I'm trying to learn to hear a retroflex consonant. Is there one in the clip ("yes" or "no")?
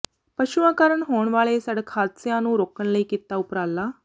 yes